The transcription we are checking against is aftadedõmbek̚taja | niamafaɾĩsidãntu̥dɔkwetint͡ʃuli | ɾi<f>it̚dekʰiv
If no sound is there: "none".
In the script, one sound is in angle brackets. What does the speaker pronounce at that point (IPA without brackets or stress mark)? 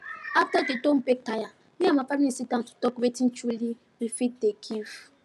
f